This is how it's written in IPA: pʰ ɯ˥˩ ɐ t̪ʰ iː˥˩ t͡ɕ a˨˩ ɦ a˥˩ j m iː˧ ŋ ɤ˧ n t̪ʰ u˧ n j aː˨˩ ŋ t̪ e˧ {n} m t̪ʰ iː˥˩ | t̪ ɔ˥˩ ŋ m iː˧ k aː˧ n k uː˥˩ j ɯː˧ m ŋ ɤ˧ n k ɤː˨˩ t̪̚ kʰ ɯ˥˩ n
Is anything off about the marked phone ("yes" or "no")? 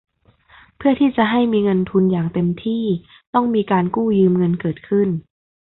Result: yes